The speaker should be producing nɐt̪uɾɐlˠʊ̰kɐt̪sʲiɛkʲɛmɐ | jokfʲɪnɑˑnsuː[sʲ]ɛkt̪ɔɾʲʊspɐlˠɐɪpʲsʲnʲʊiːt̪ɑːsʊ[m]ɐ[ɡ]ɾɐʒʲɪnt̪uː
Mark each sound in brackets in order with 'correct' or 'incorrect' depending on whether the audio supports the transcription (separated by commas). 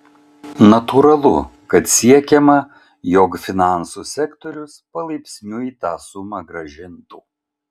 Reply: correct, correct, correct